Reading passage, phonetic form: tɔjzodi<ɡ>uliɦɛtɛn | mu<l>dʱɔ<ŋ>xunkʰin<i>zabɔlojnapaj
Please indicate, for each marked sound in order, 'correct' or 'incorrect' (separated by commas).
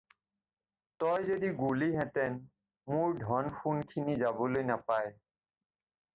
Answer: correct, incorrect, incorrect, correct